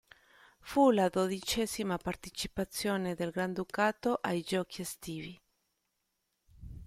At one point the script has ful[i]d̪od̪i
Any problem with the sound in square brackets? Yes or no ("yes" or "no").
yes